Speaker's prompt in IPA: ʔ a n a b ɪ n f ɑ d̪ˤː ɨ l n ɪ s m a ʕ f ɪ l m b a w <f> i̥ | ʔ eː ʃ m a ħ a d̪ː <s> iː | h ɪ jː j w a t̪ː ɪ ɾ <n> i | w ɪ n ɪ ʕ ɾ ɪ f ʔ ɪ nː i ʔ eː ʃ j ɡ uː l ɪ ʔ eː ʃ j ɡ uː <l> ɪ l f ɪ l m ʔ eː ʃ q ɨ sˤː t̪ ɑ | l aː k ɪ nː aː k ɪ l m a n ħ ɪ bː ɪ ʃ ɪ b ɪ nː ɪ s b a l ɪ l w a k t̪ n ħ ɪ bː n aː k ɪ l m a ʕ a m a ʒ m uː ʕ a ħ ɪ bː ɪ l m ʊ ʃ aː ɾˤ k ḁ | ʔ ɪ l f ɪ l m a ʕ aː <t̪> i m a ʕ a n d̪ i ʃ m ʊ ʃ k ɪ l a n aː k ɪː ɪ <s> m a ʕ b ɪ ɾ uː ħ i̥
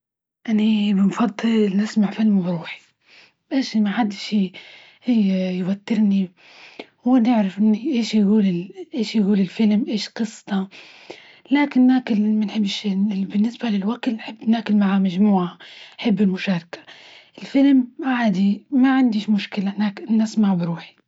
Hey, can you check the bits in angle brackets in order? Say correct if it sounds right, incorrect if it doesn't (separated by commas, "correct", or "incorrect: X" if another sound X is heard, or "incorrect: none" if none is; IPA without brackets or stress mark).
incorrect: ħ, incorrect: ʃ, correct, correct, incorrect: d̪, correct